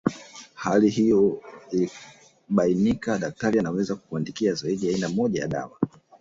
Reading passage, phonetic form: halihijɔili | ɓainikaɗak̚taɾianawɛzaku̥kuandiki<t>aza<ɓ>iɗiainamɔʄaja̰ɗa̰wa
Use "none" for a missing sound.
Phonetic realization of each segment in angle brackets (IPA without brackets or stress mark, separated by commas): none, none